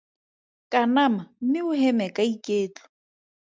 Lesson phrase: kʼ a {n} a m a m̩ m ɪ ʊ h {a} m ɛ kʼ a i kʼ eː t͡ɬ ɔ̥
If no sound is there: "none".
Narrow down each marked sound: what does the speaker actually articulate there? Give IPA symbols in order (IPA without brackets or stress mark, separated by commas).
n, ɛ